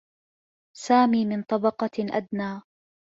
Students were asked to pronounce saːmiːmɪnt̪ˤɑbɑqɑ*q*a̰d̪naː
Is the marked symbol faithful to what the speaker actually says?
no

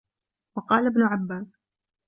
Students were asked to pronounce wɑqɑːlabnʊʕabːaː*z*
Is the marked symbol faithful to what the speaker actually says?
no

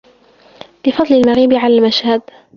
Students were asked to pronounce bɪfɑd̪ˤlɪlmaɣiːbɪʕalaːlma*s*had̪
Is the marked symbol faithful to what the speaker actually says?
no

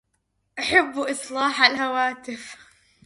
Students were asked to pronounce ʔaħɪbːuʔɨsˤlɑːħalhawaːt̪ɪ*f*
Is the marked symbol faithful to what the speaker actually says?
yes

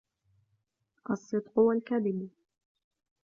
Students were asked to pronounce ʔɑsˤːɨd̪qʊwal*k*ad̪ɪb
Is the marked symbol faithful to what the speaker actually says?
yes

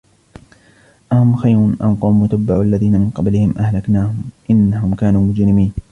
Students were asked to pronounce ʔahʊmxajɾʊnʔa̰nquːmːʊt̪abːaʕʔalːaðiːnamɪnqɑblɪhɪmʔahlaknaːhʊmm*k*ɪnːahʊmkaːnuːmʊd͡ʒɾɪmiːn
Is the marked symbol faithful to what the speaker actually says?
no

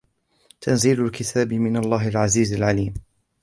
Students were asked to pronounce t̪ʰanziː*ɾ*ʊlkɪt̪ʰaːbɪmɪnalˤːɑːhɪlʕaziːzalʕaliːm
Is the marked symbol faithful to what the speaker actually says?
no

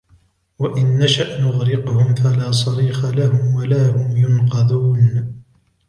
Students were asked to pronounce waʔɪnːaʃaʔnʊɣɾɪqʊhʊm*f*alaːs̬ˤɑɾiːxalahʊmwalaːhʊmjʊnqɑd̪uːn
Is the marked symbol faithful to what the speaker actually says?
yes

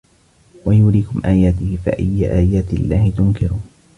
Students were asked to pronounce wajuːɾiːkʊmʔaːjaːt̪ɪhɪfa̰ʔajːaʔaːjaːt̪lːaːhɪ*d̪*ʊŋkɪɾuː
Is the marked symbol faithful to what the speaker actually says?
no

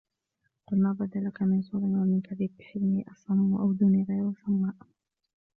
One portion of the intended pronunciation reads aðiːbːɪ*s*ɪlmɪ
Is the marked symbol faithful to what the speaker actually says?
no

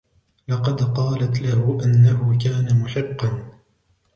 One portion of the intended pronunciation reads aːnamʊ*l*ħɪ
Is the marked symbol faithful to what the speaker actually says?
no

